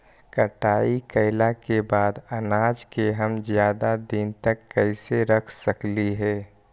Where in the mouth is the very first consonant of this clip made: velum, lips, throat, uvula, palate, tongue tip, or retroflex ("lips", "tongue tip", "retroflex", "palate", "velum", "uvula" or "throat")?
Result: velum